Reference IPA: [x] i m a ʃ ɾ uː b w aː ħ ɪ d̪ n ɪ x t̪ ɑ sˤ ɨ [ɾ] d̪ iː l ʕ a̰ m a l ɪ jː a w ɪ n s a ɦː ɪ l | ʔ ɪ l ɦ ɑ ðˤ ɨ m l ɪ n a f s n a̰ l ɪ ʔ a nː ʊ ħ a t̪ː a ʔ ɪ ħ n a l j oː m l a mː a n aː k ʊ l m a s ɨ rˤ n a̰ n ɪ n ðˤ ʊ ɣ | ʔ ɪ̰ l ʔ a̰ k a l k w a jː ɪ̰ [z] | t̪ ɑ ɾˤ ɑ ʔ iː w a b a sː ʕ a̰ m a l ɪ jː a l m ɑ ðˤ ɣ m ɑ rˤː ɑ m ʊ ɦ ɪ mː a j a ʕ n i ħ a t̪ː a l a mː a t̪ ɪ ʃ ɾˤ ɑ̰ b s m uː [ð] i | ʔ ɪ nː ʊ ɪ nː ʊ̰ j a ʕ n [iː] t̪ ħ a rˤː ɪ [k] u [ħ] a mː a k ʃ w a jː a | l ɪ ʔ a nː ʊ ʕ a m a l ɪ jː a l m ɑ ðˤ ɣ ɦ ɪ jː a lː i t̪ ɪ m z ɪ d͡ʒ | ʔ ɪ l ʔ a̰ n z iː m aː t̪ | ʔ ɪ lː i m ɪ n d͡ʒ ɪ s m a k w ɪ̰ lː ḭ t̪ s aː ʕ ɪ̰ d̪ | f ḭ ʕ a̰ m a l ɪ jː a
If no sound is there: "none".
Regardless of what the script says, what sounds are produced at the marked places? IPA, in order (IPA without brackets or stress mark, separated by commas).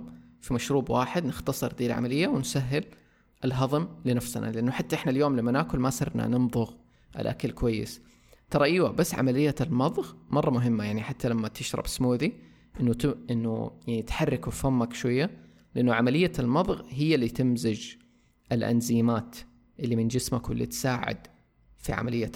f, ɾ, s, ð, i, k, f